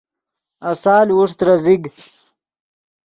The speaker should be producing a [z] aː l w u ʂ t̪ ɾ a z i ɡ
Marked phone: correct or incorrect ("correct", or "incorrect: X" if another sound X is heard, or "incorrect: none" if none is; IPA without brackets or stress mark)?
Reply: incorrect: s